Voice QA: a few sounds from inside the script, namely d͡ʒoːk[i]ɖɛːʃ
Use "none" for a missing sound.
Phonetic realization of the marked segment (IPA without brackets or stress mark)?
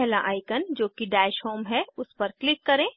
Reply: i